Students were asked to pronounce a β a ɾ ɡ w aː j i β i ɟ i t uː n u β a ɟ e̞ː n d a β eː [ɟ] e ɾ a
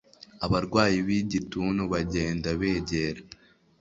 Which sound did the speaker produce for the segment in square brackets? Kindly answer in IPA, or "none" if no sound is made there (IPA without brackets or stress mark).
ɟ